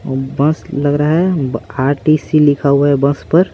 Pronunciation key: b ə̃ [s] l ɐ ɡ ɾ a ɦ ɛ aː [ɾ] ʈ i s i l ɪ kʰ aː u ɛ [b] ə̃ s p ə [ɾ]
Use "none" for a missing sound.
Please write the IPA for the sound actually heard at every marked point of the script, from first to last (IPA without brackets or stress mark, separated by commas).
s, ɾ, b, ɾ